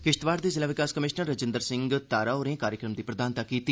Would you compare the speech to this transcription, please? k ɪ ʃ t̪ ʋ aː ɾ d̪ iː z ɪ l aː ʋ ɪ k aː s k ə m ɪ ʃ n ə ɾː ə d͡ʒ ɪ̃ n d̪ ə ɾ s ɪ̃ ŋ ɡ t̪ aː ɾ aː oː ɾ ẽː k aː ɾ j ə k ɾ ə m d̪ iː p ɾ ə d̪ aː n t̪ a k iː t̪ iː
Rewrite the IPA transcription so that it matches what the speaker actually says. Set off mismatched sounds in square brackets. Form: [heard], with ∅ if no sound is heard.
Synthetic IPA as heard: k ɪ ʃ t̪ ʋ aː ɾ d̪ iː z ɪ l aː ʋ ɪ k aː s k ə m ɪ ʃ n ə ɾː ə d͡ʒ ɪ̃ n d̪ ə ɾ s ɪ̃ ŋ ɡ t̪ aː ɾ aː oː ɾ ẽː k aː ɾ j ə k ɾ ə m d̪ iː p ɾ ə d̪ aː n t̪ a k iː t̪ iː